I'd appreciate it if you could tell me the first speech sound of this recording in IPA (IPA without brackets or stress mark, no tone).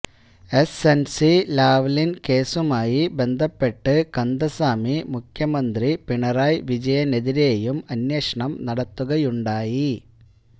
e̞